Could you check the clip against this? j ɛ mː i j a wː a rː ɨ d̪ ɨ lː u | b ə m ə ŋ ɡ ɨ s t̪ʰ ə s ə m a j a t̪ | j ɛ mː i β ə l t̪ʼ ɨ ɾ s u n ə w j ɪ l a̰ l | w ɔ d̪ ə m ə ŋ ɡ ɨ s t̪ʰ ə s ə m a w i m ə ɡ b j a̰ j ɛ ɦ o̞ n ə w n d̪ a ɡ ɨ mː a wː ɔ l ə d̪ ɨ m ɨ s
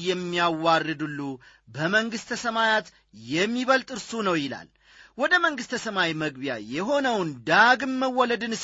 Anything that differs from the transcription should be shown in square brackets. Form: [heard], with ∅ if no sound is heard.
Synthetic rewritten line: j ɛ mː i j a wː a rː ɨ d̪ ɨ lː u | b ə m ə ŋ ɡ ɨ s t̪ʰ ə s ə m a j a t̪ | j ɛ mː i β ə l t̪ʼ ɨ ɾ s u n ə w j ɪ l a̰ l | w ɔ d̪ ə m ə ŋ ɡ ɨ s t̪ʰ ə s ə m a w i m ə ɡ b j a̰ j ɛ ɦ o̞ n ə w n d̪ a ɡ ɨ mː [ə] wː ɔ l ə d̪ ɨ [n] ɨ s